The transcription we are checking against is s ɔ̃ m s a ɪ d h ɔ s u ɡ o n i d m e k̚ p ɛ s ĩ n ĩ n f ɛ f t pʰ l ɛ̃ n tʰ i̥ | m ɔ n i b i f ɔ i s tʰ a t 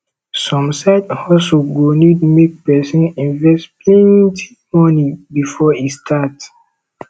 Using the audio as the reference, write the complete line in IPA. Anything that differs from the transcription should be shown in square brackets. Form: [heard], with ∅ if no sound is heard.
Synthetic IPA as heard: s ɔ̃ m s a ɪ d h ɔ s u ɡ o n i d m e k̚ p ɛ s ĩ n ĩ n [v] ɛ [s] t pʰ l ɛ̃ n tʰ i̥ | m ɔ n i b i f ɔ i s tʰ a t